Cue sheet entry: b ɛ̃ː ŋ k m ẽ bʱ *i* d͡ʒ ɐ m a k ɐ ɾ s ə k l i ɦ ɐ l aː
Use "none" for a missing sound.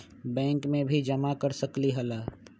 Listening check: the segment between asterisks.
i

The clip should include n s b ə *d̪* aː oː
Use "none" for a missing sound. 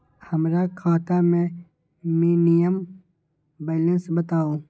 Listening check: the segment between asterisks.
t̪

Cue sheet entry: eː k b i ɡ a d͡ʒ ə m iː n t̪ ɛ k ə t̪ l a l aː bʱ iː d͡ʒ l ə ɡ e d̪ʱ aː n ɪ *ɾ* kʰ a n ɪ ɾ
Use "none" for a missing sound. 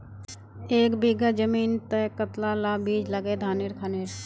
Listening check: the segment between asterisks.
ɾ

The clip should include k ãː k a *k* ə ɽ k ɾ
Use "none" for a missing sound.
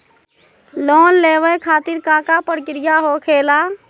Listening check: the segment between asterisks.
p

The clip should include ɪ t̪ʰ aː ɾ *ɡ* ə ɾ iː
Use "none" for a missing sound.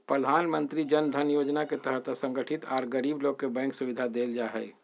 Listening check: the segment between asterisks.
ɡ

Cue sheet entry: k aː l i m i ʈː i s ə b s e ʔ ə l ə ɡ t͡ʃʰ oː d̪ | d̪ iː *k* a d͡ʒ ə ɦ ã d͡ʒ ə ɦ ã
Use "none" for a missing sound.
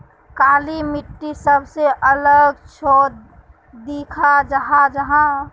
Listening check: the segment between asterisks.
kʰ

